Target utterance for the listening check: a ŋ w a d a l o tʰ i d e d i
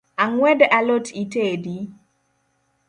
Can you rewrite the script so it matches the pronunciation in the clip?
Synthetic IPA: a ŋ w ɛ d a l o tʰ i t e d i